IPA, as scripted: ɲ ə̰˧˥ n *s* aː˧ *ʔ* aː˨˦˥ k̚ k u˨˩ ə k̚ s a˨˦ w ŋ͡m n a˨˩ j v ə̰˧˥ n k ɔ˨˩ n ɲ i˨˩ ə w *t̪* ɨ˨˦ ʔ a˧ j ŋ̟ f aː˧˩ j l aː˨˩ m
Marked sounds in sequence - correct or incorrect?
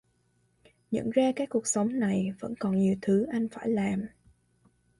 incorrect, incorrect, incorrect

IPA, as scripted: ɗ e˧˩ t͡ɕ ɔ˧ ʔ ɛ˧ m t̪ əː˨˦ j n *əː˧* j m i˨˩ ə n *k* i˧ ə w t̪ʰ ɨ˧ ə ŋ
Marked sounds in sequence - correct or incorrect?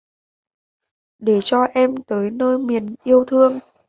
correct, incorrect

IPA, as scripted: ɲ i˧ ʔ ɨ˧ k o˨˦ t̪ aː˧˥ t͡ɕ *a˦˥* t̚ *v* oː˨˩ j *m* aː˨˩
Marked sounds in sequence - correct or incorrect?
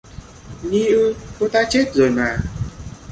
incorrect, incorrect, correct

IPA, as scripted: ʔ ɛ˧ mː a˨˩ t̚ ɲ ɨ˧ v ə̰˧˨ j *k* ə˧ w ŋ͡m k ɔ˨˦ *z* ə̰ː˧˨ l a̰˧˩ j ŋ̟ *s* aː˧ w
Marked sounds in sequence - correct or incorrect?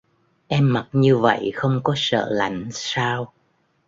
incorrect, incorrect, correct

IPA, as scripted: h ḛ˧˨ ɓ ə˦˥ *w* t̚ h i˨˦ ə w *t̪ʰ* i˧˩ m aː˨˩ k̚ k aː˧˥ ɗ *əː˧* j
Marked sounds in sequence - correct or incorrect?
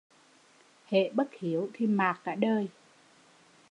incorrect, correct, correct

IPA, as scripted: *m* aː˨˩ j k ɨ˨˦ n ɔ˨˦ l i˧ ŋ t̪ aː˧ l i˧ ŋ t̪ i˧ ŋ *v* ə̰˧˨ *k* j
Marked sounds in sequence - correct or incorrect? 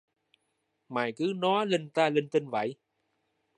correct, correct, incorrect

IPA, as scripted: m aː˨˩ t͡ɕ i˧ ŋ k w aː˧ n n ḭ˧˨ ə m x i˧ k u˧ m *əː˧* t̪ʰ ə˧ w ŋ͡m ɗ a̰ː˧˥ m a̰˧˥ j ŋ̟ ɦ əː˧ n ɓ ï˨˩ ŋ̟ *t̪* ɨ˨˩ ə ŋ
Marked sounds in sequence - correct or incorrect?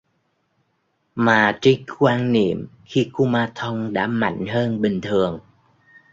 incorrect, incorrect

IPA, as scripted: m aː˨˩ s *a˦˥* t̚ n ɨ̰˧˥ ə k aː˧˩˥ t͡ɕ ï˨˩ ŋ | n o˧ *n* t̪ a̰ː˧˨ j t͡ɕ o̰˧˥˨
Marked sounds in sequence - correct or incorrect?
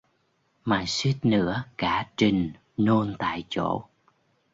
incorrect, correct

